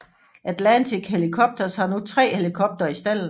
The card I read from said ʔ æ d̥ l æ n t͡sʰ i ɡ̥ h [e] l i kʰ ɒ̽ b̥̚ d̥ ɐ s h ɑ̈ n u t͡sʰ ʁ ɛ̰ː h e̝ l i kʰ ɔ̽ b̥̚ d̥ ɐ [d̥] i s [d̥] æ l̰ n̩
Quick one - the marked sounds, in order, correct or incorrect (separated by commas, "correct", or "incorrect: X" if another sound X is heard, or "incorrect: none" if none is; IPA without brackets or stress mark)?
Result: correct, incorrect: none, correct